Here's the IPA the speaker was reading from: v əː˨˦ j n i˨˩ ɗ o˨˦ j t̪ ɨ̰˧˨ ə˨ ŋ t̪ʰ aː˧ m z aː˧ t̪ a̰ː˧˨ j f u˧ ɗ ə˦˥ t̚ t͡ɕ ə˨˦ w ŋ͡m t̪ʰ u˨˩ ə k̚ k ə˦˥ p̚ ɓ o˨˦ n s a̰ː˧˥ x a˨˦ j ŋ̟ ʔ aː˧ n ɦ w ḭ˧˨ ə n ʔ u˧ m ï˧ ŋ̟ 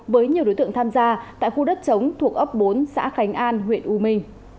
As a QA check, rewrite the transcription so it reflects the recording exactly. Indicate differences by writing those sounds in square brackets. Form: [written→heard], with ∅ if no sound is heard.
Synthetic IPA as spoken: v əː˨˦ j [n→ɲ] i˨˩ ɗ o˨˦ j t̪ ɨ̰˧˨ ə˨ ŋ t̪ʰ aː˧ m z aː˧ t̪ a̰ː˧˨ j [f→x] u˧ ɗ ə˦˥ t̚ t͡ɕ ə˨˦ w ŋ͡m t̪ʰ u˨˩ ə k̚ [k→ʔ] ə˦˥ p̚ ɓ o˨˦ n s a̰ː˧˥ x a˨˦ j ŋ̟ ʔ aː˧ n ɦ w ḭ˧˨ ə n ʔ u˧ m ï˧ ŋ̟

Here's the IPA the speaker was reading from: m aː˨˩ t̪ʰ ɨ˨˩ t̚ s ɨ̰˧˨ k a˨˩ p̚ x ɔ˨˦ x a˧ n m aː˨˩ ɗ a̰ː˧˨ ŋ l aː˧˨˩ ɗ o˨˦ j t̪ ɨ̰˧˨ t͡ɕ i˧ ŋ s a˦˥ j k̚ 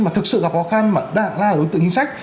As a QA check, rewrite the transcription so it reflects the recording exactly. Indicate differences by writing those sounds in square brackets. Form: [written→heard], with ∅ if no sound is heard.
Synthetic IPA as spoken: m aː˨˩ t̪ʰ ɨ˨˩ [t̚→k̚] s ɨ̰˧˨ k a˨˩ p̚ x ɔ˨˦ x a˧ n m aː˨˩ ɗ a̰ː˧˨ ŋ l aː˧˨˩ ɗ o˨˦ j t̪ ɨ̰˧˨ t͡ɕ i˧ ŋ s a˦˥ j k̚

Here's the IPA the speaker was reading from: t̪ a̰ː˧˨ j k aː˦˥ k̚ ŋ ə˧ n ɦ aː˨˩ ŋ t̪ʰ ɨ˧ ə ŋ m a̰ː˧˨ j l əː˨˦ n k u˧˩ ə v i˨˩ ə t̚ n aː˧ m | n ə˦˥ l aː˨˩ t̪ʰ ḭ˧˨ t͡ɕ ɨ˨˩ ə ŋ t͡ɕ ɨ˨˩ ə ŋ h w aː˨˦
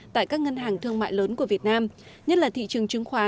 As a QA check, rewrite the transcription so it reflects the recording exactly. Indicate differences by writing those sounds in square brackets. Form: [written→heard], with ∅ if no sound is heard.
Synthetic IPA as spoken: t̪ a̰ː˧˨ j k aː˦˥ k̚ ŋ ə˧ n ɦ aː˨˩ ŋ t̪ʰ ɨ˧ ə ŋ m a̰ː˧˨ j l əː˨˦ n k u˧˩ ə v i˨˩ ə t̚ n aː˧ m | [n→ɲ] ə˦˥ l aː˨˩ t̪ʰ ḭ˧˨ t͡ɕ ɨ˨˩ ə ŋ t͡ɕ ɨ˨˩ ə ŋ [h→x] w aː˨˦

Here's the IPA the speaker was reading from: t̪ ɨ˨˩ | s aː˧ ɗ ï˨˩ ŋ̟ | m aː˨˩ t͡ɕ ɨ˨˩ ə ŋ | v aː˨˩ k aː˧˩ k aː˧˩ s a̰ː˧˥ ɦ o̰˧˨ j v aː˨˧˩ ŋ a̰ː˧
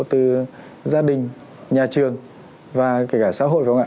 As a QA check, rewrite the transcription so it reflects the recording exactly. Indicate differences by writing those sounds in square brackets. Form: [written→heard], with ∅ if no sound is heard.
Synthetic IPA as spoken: t̪ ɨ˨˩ | [s→z] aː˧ ɗ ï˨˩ ŋ̟ | [m→ɲ] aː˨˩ t͡ɕ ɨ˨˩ ə ŋ | v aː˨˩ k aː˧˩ k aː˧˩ s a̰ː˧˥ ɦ o̰˧˨ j v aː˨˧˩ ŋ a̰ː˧

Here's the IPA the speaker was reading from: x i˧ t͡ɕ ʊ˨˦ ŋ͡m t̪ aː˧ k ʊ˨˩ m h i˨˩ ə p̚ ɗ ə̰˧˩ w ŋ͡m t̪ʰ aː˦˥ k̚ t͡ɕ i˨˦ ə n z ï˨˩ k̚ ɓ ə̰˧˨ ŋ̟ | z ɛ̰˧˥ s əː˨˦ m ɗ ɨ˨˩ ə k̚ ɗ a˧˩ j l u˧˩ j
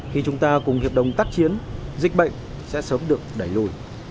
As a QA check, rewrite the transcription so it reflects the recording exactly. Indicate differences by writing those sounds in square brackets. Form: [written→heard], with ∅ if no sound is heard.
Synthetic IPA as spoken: x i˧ t͡ɕ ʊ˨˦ ŋ͡m t̪ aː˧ k ʊ˨˩ [m→ŋ͡m] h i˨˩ ə p̚ ɗ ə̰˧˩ w ŋ͡m [t̪ʰ→t̪] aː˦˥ k̚ t͡ɕ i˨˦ ə n z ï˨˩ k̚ ɓ ə̰˧˨ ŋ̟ | [z→s] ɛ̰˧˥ s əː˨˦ m ɗ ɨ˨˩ ə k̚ ɗ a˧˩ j l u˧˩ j

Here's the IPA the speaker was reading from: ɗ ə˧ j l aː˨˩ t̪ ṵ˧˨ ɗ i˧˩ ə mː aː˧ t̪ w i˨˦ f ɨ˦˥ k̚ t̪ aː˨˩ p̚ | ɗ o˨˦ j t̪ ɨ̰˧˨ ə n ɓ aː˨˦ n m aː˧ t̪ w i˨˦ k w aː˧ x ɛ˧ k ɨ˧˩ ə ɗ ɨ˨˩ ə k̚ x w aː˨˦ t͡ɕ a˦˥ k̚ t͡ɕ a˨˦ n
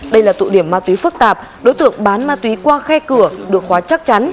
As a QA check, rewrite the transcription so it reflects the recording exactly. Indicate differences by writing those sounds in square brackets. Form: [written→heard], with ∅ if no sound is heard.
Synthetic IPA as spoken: ɗ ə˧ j l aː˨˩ t̪ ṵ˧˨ ɗ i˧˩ ə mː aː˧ t̪ w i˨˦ f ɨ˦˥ k̚ t̪ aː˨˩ p̚ | ɗ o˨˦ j t̪ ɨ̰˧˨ ə [n→ŋ] ɓ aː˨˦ n m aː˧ t̪ w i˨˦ k w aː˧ x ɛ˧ k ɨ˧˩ ə ɗ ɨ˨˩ ə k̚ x w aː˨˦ t͡ɕ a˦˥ k̚ t͡ɕ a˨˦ n

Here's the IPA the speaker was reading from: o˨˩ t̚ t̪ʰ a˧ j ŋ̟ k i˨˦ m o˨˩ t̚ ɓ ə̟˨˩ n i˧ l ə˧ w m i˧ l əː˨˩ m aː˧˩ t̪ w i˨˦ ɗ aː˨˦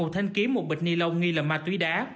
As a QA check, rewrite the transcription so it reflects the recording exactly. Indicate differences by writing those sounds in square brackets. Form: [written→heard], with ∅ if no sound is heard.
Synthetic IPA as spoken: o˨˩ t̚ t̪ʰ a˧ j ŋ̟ k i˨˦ m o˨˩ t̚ ɓ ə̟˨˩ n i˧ l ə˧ w [m→ŋ] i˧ l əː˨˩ m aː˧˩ t̪ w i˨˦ ɗ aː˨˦

